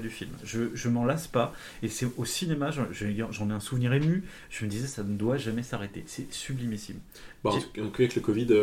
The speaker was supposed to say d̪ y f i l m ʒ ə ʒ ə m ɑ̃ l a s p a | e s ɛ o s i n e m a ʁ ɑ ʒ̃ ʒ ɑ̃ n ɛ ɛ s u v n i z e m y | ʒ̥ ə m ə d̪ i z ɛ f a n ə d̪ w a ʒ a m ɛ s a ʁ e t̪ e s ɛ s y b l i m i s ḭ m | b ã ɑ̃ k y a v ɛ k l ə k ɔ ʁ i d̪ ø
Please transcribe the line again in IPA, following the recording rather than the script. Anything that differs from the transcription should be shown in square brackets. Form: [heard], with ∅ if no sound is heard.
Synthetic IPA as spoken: d̪ y f i l m ʒ ə ʒ ə m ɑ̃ l a s p a | e s ɛ o s i n e m a [ʒ] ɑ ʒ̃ ʒ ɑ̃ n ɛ [ɛ̃] s u v n i [ʁ] e m y | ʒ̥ ə m ə d̪ i z ɛ [s] a n ə d̪ w a ʒ a m ɛ s a ʁ e t̪ e s ɛ s y b l i m i s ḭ m | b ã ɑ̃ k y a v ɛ k l ə k ɔ [v] i d̪ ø